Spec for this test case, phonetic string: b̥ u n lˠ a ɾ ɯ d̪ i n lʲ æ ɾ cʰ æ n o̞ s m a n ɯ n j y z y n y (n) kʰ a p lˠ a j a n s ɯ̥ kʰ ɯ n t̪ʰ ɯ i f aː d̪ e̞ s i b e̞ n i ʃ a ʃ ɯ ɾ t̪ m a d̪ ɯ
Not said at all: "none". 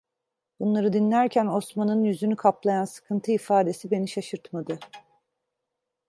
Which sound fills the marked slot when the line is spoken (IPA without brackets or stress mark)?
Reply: none